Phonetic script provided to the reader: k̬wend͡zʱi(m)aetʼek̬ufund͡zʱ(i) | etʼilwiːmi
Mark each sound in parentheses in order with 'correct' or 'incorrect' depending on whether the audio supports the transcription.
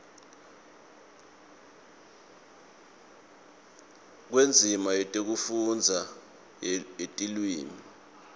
correct, incorrect: a

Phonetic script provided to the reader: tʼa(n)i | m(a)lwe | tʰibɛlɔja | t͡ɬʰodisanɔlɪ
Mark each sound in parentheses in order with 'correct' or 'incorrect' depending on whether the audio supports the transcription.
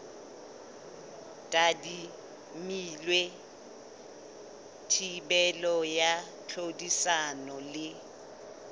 incorrect: d, incorrect: i

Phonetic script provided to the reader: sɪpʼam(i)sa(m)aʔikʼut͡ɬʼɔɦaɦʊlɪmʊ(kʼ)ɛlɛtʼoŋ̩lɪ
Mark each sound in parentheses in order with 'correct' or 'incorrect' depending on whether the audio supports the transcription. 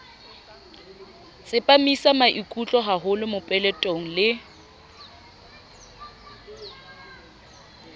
correct, correct, incorrect: pʼ

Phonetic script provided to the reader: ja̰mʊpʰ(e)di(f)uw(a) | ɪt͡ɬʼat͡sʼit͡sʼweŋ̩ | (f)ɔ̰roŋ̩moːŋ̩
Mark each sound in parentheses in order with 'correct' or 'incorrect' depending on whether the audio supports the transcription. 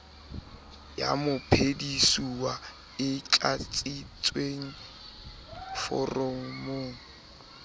correct, incorrect: s, correct, correct

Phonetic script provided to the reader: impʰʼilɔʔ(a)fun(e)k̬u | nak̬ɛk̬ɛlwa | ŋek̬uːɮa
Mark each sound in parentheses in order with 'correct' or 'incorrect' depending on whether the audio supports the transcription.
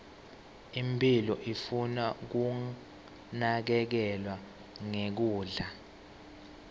incorrect: i, incorrect: a

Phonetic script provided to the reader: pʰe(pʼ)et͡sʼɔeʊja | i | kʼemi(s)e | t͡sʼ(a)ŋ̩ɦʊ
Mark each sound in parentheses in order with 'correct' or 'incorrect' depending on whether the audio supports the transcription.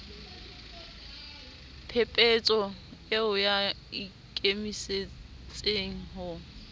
correct, correct, incorrect: e

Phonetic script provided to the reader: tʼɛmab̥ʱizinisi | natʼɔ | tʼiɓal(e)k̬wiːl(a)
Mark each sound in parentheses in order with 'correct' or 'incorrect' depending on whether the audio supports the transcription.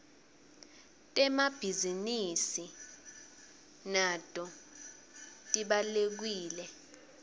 correct, incorrect: ɛ

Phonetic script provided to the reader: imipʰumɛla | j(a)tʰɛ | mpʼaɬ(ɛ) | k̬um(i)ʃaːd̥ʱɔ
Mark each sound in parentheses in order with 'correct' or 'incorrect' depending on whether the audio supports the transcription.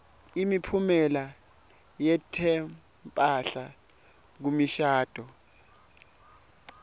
incorrect: ɛ, incorrect: a, correct

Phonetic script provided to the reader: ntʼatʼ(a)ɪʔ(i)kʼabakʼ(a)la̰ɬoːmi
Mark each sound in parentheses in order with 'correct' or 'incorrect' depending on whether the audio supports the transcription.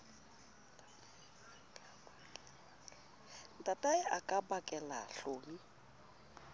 correct, incorrect: a, incorrect: ɛ

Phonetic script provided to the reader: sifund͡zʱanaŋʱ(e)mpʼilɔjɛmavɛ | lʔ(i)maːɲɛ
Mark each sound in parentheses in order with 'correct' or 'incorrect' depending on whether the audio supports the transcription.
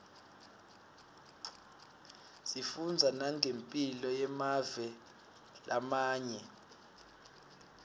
correct, incorrect: a

